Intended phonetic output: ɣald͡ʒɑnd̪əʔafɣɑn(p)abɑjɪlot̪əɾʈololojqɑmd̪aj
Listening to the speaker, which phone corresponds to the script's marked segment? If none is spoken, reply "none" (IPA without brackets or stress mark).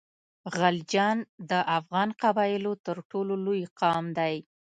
q